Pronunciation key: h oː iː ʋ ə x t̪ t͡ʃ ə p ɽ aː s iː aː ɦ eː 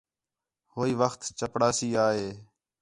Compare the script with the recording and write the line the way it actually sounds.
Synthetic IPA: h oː iː ʋ ə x t̪ t͡ʃ ə p ɽ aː s iː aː ɦ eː